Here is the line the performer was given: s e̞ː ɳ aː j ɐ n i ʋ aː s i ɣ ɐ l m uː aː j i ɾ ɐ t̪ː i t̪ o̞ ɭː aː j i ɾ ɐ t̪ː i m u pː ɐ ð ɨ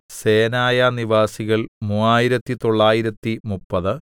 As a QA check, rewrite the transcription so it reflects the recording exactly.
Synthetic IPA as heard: s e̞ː n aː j ɐ n i ʋ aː s i ɣ ɐ ɭ m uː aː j i ɾ ɐ t̪ː i t̪ o̞ ɭː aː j i ɾ ɐ t̪ː i m u pː ɐ ð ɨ